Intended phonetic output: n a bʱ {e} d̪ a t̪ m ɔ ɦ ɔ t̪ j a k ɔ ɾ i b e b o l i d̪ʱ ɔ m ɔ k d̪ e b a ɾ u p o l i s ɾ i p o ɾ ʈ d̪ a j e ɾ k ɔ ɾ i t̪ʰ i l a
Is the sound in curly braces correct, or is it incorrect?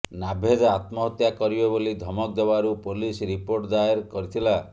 correct